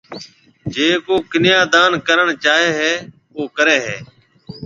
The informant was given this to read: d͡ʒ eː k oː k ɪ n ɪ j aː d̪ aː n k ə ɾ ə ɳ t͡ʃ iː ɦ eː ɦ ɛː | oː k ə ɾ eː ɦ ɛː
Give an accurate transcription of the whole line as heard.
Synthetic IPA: d͡ʒ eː k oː k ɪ n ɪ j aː d̪ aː n k ə ɾ ə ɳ t͡ʃ aː ɦ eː ɦ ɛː | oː k ə ɾ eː ɦ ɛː